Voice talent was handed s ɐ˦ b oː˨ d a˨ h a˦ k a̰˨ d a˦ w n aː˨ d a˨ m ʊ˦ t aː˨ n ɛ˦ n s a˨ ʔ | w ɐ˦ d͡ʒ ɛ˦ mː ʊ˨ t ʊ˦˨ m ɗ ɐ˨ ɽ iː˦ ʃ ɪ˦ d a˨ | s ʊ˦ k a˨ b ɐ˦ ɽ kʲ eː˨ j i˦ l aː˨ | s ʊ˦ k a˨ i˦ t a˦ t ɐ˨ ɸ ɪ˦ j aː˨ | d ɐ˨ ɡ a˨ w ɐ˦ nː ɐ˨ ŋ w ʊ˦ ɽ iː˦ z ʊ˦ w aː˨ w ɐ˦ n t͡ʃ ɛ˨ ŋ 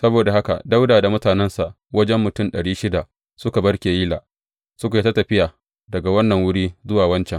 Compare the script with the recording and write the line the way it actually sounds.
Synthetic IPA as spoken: s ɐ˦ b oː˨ d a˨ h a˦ k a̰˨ d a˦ w d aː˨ d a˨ m ʊ˦ t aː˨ n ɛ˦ n s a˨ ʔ | w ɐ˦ d͡ʒ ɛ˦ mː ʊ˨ t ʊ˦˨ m ɗ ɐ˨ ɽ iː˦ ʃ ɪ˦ d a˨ | s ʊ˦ k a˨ b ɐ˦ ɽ kʲ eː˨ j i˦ l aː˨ | s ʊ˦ k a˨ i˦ t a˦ t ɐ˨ ɸ ɪ˦ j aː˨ | d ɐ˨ ɡ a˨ w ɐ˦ nː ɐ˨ ŋ w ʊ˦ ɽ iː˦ z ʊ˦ w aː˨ w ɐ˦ n t͡ʃ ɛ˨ ŋ